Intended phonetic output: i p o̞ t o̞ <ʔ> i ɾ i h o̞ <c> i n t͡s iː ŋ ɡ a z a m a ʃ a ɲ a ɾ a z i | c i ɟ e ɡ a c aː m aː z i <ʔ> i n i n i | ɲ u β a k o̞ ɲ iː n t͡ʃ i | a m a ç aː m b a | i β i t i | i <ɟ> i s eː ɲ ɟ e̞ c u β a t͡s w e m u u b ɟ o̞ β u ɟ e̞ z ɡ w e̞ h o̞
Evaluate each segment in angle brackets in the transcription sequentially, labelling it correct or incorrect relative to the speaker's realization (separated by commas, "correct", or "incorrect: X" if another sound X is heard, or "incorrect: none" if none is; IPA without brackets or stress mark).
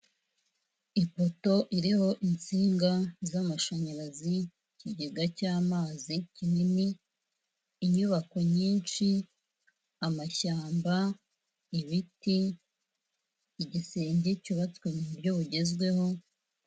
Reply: correct, incorrect: ʔ, incorrect: c, correct